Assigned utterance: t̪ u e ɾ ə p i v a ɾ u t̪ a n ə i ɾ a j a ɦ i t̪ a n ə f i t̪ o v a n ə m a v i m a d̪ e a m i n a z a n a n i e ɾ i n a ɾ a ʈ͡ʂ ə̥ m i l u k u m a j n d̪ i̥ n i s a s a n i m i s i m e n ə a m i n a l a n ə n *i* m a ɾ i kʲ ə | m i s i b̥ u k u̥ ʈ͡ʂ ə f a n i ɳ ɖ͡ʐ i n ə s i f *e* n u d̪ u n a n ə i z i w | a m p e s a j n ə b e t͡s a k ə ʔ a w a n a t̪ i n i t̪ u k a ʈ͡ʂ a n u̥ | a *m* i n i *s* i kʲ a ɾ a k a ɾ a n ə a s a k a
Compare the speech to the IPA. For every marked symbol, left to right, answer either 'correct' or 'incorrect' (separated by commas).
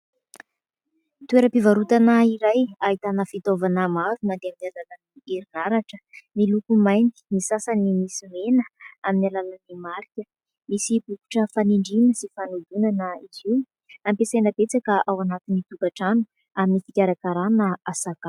correct, incorrect, correct, incorrect